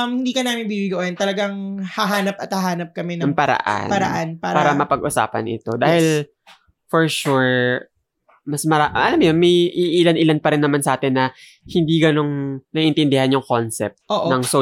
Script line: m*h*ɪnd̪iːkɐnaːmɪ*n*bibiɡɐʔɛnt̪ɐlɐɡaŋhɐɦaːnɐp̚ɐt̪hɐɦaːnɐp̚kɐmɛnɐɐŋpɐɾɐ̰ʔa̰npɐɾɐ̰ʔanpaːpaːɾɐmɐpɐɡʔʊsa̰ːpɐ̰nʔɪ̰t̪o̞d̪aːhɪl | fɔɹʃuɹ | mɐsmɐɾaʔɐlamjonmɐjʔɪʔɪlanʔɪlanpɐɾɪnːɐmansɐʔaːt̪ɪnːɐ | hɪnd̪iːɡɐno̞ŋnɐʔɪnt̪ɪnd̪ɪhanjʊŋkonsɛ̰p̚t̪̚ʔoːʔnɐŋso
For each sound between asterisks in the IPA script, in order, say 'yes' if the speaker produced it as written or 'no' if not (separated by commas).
yes, yes